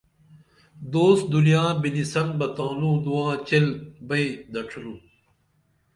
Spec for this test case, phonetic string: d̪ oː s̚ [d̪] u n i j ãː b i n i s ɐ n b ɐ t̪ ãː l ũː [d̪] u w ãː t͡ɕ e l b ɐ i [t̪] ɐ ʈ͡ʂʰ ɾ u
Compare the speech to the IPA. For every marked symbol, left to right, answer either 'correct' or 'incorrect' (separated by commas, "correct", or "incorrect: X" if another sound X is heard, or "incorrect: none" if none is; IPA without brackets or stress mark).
correct, correct, incorrect: d̪